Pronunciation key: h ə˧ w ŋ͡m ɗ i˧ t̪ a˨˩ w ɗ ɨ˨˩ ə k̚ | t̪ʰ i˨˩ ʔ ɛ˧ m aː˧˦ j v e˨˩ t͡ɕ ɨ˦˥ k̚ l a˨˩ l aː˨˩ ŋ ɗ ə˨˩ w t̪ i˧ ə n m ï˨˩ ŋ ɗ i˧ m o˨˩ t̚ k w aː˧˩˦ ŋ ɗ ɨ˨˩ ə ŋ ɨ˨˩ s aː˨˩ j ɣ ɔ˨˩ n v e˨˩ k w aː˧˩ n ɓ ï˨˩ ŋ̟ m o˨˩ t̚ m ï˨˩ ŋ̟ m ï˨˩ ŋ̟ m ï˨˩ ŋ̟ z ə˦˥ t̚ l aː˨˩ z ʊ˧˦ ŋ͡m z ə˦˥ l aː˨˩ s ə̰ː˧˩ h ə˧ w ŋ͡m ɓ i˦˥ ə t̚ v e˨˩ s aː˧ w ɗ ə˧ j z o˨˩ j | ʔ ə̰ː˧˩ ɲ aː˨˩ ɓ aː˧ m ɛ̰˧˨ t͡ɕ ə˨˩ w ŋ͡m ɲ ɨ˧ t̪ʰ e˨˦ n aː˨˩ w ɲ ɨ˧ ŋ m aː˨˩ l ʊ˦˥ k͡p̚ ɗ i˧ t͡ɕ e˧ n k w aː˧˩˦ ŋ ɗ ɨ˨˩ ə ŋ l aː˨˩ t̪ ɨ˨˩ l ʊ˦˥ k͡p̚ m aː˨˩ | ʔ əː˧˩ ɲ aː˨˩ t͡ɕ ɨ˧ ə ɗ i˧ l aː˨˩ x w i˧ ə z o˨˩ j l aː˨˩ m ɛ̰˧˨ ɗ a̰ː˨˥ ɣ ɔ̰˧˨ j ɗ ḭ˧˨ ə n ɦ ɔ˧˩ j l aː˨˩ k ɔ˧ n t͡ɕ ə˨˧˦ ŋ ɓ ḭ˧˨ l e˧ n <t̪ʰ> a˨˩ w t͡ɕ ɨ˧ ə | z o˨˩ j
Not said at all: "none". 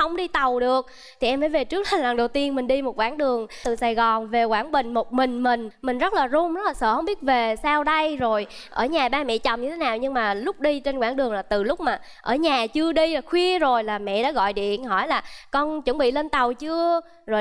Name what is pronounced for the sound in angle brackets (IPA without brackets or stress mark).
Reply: t̪